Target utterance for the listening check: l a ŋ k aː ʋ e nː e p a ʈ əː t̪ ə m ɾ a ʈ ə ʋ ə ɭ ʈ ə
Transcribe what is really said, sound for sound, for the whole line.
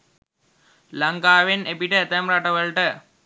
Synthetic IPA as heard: l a ŋ k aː ʋ e n e p i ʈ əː t̪ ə m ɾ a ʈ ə ʋ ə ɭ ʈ ə